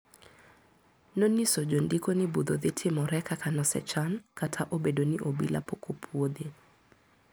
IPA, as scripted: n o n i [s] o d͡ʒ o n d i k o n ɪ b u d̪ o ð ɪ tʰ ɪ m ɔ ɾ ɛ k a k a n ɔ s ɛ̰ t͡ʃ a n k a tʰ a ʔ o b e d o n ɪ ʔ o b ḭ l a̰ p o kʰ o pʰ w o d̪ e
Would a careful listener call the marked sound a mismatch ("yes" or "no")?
no